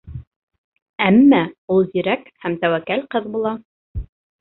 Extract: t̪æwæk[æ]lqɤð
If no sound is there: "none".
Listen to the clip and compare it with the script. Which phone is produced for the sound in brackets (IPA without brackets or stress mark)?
æ